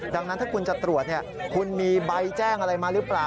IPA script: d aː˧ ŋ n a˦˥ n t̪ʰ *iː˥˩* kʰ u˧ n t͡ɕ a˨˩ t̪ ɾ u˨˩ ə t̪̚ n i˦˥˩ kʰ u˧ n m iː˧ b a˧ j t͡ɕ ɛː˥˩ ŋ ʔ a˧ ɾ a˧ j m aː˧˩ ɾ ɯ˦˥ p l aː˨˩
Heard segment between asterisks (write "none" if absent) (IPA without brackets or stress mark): aː˥˩